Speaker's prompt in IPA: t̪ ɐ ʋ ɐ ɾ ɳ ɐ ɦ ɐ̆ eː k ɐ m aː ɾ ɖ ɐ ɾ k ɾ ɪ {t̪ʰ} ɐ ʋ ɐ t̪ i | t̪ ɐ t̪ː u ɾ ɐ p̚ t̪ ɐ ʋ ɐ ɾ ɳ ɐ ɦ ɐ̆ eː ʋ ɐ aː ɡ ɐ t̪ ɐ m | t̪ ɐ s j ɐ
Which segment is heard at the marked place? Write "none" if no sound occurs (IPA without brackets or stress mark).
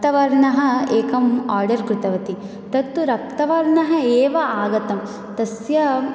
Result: t̪